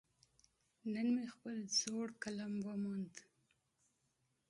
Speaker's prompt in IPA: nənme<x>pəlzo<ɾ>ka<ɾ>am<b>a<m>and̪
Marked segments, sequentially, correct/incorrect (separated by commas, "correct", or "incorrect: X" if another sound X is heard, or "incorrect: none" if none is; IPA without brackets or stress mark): correct, incorrect: ɽ, incorrect: l, incorrect: w, correct